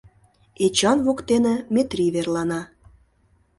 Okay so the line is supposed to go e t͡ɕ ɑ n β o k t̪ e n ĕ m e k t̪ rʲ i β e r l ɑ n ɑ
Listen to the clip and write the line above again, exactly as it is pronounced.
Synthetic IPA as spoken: e t͡ɕ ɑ n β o k t̪ e n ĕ m e t̪ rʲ i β e r l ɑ n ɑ